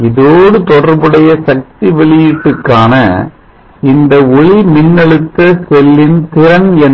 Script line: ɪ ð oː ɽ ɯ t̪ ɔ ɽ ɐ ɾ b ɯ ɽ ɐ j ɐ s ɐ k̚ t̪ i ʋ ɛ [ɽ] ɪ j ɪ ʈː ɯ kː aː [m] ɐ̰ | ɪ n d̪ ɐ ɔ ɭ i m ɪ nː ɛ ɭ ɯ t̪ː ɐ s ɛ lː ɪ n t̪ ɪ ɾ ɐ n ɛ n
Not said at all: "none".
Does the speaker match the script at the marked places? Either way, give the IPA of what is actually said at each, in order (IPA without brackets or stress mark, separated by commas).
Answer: ɭ, n